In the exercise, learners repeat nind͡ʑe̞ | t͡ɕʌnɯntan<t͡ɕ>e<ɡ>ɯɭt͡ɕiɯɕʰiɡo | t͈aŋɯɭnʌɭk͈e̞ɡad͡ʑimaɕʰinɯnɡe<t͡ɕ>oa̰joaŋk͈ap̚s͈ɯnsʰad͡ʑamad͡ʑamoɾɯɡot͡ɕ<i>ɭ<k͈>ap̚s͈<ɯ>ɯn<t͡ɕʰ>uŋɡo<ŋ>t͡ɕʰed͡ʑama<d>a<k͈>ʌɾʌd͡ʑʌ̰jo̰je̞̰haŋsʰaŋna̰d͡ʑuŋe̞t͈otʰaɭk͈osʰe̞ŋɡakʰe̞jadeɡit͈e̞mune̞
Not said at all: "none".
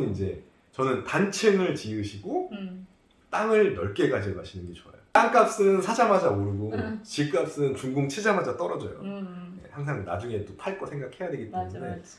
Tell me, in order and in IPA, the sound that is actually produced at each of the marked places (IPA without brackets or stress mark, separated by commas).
t͡ɕʰ, ŋ, t͡ɕ, i, k͈, ɯ, t͡ɕ, ŋ, d͡ʑ, t͈